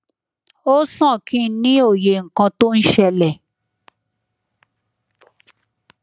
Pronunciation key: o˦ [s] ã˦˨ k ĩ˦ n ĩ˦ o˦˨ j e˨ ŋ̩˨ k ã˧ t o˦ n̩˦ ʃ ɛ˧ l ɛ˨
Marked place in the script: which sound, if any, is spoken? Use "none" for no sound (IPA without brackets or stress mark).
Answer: s